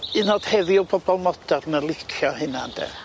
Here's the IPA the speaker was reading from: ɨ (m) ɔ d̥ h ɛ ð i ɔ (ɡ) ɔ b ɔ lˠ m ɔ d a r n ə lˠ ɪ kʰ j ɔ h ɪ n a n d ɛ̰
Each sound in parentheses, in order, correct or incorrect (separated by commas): incorrect, incorrect